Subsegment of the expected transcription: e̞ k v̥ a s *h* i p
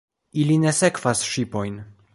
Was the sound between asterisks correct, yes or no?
no